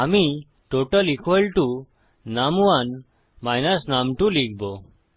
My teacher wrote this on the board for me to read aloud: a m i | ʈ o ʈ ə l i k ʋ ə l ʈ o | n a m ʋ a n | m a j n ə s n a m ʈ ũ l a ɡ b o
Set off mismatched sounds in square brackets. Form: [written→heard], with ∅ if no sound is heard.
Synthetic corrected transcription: a m i | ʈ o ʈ ə l i k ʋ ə l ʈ [o→u] | n a m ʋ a n | m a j n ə s n a m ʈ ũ l [a→i] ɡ b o